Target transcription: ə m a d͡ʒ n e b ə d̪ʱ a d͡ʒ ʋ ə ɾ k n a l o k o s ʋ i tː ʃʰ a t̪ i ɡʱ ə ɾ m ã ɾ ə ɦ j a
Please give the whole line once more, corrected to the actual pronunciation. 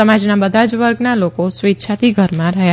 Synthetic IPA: ə m a d͡ʒ n a b ə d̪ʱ a d͡ʒ ʋ ə ɾ ɡ n a l o k o s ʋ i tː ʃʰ a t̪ i ɡʱ ə ɾ m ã ɾ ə ɦ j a